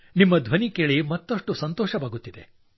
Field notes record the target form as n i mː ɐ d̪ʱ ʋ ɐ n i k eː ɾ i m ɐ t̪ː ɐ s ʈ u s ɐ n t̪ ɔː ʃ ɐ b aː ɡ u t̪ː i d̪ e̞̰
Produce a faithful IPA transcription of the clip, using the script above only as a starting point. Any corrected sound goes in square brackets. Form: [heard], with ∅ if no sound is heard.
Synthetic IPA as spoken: n i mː ɐ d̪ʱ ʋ ɐ n i k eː [ɭ] i m ɐ t̪ː ɐ [ʂ] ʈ u s ɐ n t̪ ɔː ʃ ɐ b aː ɡ u t̪ː i d̪ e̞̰

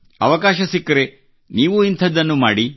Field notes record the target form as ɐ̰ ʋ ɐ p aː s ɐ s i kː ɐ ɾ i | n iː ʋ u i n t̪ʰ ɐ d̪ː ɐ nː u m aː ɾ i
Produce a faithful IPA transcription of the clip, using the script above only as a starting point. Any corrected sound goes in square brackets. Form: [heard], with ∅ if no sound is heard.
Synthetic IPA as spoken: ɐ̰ ʋ ɐ [k] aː [ʃ] ɐ s i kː ɐ ɾ [e] | n iː ʋ u i n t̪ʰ ɐ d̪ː ɐ nː u m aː [ɽ] i

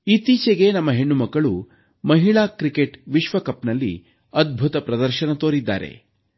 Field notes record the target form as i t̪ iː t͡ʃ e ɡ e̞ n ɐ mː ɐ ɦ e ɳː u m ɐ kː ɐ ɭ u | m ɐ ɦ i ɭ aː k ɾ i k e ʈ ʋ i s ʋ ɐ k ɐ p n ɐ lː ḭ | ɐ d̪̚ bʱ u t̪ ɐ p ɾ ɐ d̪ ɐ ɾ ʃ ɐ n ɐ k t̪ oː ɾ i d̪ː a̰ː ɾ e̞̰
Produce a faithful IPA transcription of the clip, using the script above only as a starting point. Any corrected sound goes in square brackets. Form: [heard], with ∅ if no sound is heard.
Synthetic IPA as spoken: i t̪ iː t͡ʃ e ɡ e̞ n ɐ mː ɐ ɦ e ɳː u m ɐ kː ɐ ɭ u | m ɐ ɦ i ɭ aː k ɾ i k e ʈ ʋ i [ʃ] ʋ ɐ k ɐ p n ɐ lː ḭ | ɐ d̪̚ bʱ u t̪ ɐ p ɾ ɐ d̪ ɐ ɾ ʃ ɐ n ɐ [∅] t̪ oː ɾ i d̪ː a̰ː ɾ e̞̰

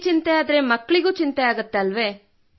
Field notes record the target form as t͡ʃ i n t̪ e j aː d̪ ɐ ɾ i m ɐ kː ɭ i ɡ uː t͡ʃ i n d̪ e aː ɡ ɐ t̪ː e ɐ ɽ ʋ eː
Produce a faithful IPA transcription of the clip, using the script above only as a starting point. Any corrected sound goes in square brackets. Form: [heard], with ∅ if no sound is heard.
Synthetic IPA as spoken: t͡ʃ i n t̪ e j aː d̪ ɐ ɾ [e] m ɐ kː ɭ i ɡ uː t͡ʃ i n [t̪] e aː ɡ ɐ t̪ː e ɐ [l] ʋ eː

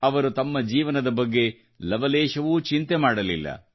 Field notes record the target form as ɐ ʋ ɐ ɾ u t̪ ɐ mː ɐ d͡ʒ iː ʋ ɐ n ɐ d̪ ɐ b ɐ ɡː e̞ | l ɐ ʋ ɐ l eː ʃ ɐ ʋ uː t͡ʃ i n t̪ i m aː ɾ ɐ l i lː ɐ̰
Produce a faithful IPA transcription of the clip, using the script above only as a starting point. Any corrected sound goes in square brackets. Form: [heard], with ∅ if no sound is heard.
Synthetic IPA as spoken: ɐ ʋ ɐ ɾ u t̪ ɐ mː ɐ d͡ʒ iː ʋ ɐ n ɐ d̪ ɐ b ɐ ɡː e̞ | l ɐ ʋ ɐ l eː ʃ ɐ ʋ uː t͡ʃ i n t̪ [e] m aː [ɽ] ɐ l i lː ɐ̰

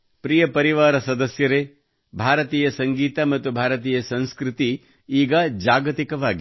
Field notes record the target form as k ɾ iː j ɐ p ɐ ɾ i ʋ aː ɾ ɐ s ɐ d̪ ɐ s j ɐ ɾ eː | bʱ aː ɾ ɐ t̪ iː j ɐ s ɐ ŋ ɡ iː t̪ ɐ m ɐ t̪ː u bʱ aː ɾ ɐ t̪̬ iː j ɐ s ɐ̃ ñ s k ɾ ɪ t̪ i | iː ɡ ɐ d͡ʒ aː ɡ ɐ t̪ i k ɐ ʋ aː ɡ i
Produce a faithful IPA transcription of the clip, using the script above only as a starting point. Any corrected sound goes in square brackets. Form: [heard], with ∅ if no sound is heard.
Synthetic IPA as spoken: [p] ɾ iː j ɐ p ɐ ɾ i ʋ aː ɾ ɐ s ɐ d̪ ɐ s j ɐ ɾ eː | bʱ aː ɾ ɐ t̪ iː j ɐ s ɐ ŋ ɡ iː t̪ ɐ m ɐ t̪ː u bʱ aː ɾ ɐ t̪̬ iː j ɐ s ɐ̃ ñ s k ɾ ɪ t̪ i | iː ɡ ɐ d͡ʒ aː ɡ ɐ t̪ i k ɐ ʋ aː ɡ i

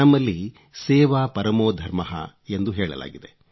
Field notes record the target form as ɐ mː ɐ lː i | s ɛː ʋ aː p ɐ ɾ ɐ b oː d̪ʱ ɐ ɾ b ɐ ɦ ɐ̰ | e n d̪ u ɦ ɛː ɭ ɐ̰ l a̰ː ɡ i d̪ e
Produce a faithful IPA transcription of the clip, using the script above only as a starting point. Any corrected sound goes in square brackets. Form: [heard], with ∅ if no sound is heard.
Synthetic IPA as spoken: ɐ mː ɐ lː i | s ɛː ʋ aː p ɐ ɾ ɐ [m] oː d̪ʱ ɐ ɾ [m] ɐ ɦ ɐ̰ | e n d̪ u ɦ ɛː ɭ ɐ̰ l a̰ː ɡ i d̪ e

